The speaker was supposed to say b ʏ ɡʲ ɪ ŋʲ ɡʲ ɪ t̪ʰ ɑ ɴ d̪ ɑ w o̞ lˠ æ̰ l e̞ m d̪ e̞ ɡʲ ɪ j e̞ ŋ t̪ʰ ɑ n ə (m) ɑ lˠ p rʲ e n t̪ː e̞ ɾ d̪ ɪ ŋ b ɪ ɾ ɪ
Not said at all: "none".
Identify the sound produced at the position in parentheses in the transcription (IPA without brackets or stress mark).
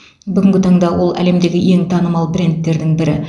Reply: m